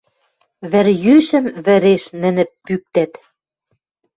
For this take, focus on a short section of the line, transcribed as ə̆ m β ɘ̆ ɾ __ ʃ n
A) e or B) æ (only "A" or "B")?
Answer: A